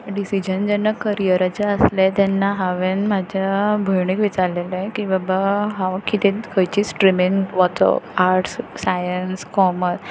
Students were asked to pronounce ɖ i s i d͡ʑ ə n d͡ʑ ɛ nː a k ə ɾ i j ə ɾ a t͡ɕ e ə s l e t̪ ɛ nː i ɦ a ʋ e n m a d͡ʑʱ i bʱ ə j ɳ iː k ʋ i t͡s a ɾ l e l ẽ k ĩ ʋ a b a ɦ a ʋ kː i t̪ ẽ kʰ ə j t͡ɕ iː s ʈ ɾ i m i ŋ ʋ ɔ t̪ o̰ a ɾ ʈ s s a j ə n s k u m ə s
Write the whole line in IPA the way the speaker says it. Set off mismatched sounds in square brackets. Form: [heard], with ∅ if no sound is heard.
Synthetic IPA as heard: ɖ i s i d͡ʑ ə n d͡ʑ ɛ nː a k ə ɾ i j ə ɾ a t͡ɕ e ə s l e t̪ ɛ nː [a] ɦ a ʋ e n m a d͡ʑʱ [a] bʱ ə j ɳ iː k ʋ i t͡s a ɾ l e l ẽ k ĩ ʋ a b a ɦ a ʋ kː i t̪ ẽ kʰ ə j t͡ɕ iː s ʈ ɾ i m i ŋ ʋ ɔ t̪ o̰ a ɾ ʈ s s a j ə n s k [ɔ] m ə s